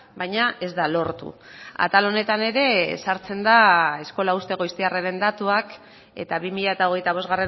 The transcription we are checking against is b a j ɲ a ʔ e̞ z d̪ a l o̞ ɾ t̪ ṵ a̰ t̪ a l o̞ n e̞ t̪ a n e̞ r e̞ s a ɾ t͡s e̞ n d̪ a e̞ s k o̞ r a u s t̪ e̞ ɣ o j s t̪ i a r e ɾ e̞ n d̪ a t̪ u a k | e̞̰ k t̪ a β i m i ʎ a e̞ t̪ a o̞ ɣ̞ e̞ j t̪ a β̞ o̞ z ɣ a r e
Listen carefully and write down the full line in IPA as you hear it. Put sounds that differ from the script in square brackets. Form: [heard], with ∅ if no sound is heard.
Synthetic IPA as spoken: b a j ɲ a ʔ e̞ z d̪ a l o̞ ɾ t̪ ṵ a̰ t̪ a l o̞ n e̞ t̪ a n e̞ [ɾ] e̞ s a ɾ t͡s e̞ n d̪ a e̞ s k o̞ [l] a u s t̪ e̞ ɣ o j s t̪ i a r e ɾ e̞ n d̪ a t̪ u a k | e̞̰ [∅] t̪ a β i m i ʎ a e̞ t̪ a o̞ ɣ̞ e̞ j t̪ a β̞ o̞ z ɣ a r e